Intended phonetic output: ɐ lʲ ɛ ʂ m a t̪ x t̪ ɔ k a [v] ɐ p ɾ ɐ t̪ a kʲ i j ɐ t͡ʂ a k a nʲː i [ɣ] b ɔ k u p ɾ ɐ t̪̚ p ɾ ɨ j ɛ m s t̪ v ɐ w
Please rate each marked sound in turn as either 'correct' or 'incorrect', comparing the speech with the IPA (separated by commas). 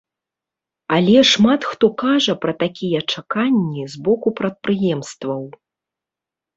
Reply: incorrect, incorrect